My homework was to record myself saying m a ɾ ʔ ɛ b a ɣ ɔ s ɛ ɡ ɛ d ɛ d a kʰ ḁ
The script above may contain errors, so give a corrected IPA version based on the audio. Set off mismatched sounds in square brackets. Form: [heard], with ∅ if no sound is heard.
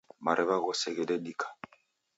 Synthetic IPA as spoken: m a ɾ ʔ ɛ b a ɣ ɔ s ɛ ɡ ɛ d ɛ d [i] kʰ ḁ